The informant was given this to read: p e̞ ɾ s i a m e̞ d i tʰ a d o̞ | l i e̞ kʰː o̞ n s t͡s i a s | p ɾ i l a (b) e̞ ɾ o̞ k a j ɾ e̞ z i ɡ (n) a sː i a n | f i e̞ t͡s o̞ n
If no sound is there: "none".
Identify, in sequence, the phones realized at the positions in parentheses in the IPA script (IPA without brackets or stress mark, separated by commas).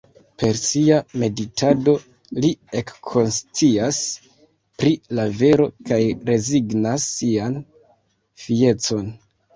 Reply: v, n